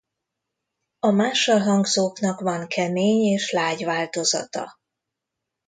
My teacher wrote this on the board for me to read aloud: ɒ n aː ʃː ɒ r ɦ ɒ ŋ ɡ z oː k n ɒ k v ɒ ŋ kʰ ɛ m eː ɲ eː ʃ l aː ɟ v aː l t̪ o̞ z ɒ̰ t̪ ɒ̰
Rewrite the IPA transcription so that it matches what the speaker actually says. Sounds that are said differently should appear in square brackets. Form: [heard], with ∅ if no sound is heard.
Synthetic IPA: ɒ [m] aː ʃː ɒ [l] ɦ ɒ ŋ ɡ z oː k n ɒ k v ɒ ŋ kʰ ɛ m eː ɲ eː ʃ l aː ɟ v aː l t̪ o̞ z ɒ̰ t̪ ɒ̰